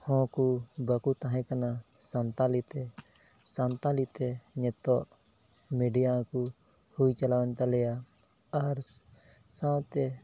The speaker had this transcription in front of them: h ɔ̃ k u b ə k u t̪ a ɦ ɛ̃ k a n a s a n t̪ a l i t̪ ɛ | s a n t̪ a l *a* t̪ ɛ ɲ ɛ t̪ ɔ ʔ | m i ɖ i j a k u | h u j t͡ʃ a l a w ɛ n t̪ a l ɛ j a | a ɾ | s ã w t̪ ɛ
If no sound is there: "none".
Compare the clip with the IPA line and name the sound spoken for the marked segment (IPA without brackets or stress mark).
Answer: i